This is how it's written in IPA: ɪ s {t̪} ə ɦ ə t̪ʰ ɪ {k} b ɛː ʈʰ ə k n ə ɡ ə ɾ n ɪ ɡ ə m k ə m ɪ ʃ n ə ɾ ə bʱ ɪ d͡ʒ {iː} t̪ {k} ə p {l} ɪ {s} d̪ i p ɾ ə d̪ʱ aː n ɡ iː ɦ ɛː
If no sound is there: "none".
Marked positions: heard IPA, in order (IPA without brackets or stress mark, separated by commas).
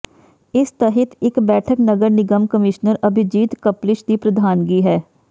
t̪, k, iː, k, l, ʃ